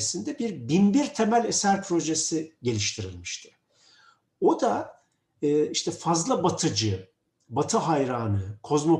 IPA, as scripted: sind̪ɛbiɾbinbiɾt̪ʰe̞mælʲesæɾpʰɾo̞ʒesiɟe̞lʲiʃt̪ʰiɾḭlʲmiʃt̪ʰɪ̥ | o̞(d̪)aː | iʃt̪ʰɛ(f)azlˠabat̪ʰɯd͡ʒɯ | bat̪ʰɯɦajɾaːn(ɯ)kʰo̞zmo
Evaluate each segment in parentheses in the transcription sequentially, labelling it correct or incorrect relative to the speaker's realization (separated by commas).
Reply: correct, correct, correct